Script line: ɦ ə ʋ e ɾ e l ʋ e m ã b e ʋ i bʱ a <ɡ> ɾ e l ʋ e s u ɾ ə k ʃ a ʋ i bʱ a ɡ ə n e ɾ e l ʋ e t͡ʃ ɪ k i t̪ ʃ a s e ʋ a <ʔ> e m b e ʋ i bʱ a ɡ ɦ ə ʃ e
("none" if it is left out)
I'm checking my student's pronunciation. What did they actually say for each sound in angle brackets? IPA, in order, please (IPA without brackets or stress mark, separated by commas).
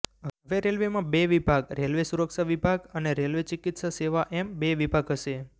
ɡ, ʔ